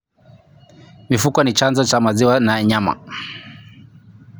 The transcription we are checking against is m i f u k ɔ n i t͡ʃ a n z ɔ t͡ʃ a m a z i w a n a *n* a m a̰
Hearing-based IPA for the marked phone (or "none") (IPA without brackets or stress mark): ɲ